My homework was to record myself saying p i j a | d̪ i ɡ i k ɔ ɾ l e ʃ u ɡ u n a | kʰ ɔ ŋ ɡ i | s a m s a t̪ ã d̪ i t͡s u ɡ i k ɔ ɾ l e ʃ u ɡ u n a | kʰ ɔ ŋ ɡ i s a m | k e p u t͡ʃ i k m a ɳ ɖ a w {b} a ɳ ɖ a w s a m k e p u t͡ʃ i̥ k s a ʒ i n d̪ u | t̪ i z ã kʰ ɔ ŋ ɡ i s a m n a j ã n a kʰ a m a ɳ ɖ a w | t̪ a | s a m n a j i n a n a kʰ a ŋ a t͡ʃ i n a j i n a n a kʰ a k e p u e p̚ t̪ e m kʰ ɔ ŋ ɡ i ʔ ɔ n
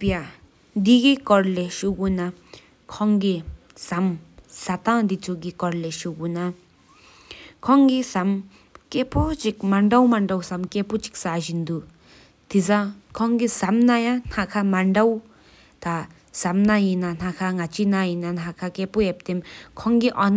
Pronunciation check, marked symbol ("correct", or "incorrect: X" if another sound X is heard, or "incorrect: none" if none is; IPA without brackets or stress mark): incorrect: m